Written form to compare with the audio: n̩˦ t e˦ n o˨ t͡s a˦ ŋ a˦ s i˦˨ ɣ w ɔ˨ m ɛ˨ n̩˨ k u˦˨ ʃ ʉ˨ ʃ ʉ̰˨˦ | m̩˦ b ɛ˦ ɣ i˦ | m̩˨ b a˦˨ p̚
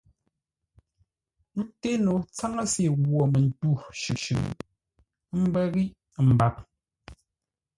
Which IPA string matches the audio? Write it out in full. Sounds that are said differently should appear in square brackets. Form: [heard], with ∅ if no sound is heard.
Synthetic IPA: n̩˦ t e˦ n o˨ t͡s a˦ ŋ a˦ s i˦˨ ɣ w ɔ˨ m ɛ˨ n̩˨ [t] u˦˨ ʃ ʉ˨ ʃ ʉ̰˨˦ | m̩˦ b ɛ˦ ɣ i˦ | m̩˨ b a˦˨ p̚